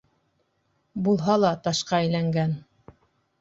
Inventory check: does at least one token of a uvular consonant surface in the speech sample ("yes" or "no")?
yes